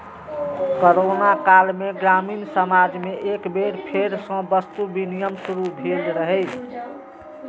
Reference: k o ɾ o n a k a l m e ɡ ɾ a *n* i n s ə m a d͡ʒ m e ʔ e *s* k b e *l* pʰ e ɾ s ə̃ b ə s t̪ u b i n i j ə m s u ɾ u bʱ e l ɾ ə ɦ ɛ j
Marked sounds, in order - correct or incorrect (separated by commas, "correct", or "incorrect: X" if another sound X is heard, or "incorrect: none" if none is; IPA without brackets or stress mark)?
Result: incorrect: m, incorrect: none, incorrect: ɾ